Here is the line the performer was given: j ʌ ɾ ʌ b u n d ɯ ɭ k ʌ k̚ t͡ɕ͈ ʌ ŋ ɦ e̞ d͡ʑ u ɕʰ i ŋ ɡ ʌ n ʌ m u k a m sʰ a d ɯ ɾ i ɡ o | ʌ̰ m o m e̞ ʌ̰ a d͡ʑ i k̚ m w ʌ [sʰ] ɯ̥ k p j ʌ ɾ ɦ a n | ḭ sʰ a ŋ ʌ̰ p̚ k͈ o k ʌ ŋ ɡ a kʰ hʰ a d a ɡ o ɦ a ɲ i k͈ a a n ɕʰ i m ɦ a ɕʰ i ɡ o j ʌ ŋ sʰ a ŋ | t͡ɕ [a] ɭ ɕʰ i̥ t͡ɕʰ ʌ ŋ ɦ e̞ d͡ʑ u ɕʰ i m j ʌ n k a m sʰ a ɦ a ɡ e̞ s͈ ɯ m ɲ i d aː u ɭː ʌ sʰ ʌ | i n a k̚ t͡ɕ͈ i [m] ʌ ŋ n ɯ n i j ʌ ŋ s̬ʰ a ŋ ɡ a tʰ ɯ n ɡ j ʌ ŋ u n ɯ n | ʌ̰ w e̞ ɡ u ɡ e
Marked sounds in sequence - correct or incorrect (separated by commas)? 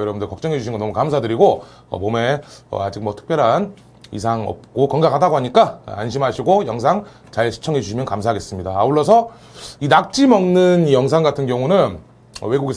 incorrect, correct, correct